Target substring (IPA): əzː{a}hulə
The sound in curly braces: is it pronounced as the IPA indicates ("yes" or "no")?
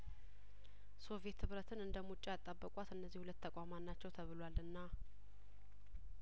no